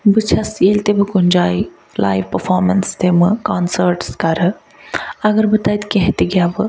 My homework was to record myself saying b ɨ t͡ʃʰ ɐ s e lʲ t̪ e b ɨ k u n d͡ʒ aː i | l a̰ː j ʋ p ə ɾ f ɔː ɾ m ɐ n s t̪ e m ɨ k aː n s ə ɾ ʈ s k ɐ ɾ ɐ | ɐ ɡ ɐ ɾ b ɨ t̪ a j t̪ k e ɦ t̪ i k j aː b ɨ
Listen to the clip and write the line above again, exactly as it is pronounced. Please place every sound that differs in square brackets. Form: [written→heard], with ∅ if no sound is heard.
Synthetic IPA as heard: b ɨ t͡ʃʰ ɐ s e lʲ t̪ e b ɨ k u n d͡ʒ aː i | l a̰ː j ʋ p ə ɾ f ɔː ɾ m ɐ n s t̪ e m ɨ k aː n s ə ɾ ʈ s k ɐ ɾ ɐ | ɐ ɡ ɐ ɾ b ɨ t̪ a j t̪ k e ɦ t̪ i [k→ɡ] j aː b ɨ